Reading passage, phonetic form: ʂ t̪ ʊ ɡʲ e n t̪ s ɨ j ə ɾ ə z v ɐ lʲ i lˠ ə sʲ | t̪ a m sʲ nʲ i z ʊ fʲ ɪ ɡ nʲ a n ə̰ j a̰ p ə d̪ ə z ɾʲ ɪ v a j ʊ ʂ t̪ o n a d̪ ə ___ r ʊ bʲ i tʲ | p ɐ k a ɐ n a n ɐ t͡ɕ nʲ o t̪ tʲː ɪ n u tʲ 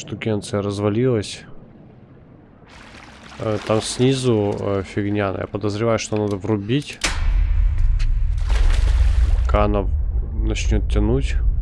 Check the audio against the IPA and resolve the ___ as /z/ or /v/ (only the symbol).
v